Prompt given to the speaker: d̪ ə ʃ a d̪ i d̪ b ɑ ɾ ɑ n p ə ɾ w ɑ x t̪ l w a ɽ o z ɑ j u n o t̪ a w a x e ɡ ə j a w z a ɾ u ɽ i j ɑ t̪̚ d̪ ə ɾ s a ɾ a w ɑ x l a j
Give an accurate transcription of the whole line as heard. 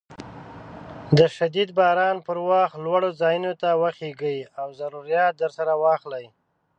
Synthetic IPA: d̪ ə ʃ a d̪ i d̪ b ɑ ɾ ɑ n p ə ɾ w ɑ x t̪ l w a ɽ o z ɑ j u n o t̪ a w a x e ɡ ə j a w z a ɾ u ɾ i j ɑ t̪̚ d̪ ə ɾ s a ɾ a w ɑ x l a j